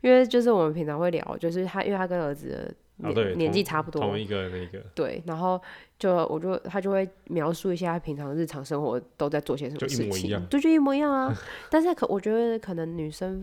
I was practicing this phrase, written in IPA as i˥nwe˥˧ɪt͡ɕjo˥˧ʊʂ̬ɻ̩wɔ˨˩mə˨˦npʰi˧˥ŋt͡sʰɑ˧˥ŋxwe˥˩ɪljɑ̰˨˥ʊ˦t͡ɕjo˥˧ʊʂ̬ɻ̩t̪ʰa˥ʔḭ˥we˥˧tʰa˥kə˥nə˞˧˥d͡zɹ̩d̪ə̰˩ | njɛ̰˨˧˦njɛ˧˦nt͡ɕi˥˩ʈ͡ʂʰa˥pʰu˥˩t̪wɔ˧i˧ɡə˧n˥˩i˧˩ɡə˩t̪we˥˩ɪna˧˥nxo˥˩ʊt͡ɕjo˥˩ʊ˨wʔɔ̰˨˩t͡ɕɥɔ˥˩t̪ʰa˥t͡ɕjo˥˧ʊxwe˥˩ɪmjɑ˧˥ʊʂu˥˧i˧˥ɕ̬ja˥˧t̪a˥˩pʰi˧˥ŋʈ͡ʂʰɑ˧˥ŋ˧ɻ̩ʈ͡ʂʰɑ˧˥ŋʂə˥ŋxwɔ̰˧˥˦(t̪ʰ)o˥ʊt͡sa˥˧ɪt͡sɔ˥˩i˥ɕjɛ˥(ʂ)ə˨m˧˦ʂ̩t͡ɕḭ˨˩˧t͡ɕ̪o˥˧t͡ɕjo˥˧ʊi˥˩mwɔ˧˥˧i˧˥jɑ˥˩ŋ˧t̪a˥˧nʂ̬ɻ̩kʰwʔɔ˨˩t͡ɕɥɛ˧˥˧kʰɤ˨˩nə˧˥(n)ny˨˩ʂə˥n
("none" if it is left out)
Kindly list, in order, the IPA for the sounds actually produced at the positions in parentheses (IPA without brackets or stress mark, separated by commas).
t̪, ʂ, ŋ